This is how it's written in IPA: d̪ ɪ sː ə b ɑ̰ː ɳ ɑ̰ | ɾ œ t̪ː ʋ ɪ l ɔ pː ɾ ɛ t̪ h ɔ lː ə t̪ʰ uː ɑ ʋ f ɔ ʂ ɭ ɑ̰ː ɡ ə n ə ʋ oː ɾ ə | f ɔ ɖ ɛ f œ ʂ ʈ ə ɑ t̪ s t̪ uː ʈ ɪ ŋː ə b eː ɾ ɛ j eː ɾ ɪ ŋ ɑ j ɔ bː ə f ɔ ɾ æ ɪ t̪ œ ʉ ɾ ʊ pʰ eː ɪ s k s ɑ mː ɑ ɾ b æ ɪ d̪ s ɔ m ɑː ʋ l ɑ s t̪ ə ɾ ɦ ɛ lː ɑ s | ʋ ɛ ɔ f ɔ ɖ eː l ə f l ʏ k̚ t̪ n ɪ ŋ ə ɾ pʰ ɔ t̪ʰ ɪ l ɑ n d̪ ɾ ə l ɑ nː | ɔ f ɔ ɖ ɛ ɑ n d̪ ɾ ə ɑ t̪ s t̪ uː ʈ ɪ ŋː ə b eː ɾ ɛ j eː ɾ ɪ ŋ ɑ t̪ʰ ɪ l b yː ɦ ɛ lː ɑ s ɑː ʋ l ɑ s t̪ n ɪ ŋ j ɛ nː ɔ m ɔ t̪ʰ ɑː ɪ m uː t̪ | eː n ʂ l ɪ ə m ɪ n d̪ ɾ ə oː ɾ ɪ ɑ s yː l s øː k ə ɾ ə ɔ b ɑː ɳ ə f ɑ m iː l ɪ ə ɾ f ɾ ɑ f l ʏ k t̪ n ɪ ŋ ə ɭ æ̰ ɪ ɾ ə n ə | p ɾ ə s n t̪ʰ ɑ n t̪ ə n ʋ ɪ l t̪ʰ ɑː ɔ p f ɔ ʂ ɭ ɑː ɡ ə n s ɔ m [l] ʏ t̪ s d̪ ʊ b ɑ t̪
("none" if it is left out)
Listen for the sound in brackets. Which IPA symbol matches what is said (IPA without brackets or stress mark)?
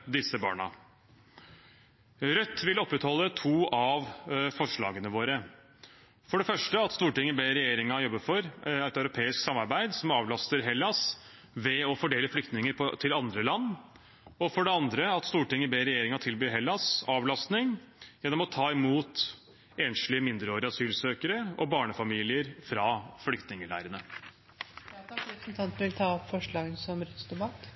ɾ